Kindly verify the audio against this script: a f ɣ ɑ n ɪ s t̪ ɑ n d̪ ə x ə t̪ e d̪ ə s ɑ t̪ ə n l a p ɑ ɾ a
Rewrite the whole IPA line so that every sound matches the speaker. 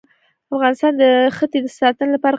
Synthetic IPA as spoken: a f ɣ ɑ n ɪ s t̪ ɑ n d̪ ə x ə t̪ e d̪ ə s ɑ t̪ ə n l a p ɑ ɾ a